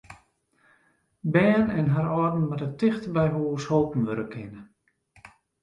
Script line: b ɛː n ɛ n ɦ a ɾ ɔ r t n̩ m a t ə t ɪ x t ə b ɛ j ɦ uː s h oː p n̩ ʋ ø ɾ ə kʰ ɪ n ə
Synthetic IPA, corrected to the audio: b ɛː n ɛ n ɦ a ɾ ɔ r d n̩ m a t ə t ɪ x t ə b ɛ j ɦ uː s h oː p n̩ ʋ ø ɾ ə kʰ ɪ n ə